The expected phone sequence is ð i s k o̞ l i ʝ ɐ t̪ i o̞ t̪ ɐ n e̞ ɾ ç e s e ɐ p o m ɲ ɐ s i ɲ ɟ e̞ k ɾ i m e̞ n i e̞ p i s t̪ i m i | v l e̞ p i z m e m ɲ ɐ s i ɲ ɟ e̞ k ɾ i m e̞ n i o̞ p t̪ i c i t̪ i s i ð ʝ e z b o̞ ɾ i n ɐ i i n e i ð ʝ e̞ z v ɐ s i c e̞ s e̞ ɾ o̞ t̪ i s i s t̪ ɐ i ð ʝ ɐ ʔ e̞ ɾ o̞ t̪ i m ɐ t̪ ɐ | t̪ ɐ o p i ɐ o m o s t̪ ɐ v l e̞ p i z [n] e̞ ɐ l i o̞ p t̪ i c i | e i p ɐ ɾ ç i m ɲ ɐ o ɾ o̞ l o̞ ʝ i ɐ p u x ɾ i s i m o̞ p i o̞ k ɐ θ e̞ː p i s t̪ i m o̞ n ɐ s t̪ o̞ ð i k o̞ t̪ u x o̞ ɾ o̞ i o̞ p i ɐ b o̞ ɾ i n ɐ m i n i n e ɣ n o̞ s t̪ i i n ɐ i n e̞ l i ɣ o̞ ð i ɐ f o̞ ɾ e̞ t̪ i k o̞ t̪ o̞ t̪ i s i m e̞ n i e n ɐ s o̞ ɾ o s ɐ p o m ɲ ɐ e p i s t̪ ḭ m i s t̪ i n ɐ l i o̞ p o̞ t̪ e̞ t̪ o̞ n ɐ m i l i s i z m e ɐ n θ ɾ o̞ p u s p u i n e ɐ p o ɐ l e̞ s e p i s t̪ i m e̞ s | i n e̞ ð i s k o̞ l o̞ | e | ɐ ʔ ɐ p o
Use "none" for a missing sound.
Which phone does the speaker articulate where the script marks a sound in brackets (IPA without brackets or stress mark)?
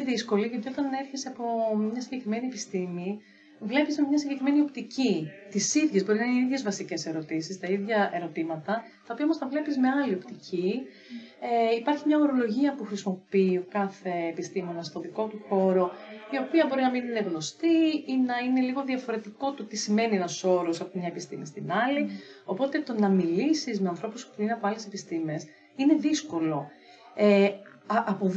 m